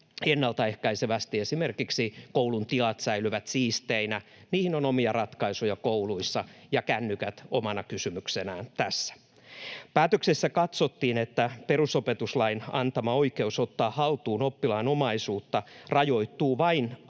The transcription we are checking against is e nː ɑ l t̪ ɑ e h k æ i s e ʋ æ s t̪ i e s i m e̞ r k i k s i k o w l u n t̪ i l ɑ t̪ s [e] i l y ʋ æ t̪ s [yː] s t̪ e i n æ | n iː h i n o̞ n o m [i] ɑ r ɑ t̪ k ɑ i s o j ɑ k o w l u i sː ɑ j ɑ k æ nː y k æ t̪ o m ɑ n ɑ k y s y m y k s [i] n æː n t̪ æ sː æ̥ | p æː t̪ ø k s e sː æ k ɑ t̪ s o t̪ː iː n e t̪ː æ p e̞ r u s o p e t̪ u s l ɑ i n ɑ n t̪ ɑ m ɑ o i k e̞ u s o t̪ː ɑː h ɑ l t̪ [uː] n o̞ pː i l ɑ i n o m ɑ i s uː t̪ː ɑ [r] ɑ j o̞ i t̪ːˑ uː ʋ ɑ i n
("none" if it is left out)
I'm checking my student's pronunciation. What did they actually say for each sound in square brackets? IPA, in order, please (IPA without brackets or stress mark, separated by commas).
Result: æ, iː, i, e, uː, r